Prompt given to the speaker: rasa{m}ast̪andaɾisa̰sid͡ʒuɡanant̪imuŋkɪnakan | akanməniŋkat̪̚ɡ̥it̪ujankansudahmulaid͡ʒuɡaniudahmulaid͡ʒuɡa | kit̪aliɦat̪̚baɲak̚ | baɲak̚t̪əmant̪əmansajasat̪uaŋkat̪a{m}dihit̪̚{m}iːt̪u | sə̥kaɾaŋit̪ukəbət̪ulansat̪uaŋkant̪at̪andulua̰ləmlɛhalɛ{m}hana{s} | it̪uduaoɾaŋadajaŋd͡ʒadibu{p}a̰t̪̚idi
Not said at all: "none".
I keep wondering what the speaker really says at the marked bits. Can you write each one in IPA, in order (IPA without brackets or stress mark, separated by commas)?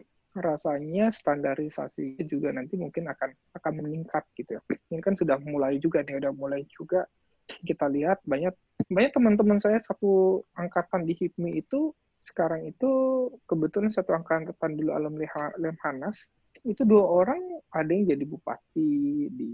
ɲ, n, m, m, s, p